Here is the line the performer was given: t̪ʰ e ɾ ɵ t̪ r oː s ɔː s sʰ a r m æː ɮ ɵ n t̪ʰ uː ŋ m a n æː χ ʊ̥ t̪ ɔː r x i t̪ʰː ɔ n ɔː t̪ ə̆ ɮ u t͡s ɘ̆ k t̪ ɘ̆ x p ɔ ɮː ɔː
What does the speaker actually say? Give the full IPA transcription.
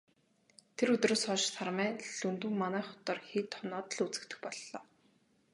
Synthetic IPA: t̪ʰ e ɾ ɵ t̪ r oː s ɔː ʃ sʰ a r m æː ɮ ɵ n t̪ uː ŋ m a n æː χ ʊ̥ t̪ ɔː r x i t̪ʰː ɔ n ɔː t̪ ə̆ ɮ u t͡s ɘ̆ k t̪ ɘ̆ x p ɔ ɮː ɔː